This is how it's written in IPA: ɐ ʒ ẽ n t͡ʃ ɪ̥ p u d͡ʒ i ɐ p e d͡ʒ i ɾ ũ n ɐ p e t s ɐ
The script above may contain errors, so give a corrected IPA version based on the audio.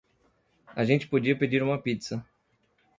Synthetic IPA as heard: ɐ ʒ ẽ n t͡ʃ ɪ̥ p o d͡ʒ i ɐ p e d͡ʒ i ɾ ũ m ɐ p i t s ɐ